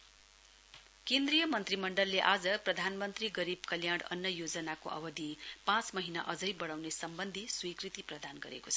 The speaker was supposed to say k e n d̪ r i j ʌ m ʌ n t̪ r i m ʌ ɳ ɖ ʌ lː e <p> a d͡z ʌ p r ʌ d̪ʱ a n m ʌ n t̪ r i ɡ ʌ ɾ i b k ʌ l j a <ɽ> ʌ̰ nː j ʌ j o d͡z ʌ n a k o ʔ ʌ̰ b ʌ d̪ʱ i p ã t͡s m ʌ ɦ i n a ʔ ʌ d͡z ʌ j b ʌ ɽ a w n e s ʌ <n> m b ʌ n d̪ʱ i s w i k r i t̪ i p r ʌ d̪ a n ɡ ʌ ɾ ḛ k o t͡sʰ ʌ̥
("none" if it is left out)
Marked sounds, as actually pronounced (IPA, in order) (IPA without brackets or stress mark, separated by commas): ʔ, ɽ, none